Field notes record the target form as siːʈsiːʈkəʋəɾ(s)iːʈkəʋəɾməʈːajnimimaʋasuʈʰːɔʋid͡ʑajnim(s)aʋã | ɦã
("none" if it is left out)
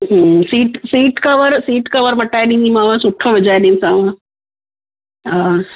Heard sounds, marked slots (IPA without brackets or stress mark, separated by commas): s, s